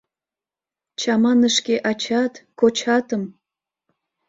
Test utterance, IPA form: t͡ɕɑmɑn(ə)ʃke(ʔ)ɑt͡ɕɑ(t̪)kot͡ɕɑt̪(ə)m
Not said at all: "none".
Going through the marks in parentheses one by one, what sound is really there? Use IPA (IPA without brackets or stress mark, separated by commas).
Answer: ə, ʔ, t̪, ə